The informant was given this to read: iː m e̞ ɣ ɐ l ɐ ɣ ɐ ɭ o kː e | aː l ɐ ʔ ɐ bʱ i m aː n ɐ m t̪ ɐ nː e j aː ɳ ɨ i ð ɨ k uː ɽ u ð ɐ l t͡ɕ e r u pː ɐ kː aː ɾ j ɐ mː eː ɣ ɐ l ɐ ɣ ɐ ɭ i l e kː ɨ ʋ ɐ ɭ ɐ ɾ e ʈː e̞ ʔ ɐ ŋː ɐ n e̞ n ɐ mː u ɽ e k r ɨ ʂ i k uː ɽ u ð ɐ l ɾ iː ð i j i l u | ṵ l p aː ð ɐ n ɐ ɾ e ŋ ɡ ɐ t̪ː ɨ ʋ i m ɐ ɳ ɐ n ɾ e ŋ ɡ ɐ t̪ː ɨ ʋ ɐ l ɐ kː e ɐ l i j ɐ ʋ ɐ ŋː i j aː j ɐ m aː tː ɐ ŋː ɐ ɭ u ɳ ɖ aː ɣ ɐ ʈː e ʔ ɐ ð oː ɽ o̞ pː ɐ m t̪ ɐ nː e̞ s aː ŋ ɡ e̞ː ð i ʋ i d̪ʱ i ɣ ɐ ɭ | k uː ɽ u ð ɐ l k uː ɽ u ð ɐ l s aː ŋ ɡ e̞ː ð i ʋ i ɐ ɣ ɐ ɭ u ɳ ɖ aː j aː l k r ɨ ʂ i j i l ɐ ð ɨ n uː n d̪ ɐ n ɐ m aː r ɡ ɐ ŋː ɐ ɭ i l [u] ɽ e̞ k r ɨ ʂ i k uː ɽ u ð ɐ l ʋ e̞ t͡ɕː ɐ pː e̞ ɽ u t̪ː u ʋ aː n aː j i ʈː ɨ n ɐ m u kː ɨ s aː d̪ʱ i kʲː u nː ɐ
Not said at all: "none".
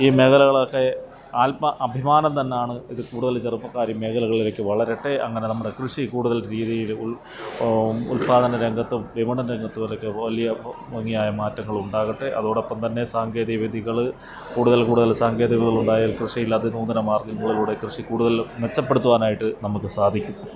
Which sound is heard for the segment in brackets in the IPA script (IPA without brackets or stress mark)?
uː